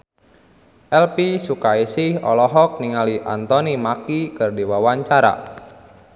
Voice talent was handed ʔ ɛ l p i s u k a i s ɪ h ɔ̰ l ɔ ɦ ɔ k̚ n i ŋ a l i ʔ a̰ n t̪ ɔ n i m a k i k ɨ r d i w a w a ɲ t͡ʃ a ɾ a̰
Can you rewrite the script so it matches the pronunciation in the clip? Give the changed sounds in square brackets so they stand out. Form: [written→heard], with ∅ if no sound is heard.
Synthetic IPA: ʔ ɛ l p i s u k a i s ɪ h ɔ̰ l ɔ ɦ ɔ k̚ n i ŋ a l i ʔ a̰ n t̪ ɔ n i m a k i k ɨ r d i w a w a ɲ t͡ʃ a ɾ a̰